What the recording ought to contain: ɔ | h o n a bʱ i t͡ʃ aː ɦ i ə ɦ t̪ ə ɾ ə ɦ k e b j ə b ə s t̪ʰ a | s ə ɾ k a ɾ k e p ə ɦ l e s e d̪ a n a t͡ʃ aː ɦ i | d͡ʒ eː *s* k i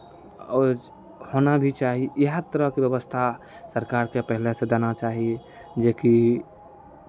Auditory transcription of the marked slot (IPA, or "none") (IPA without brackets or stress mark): none